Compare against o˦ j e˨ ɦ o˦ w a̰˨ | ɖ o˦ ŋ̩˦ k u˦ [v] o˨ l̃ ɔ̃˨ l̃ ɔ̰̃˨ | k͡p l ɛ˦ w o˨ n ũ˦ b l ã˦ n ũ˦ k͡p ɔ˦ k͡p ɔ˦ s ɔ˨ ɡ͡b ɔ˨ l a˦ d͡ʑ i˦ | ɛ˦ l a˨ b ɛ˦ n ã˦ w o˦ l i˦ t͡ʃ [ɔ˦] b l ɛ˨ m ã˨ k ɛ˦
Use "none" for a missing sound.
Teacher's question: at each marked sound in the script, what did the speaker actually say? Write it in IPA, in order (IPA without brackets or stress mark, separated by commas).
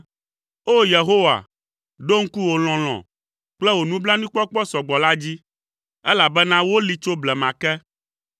w, o˦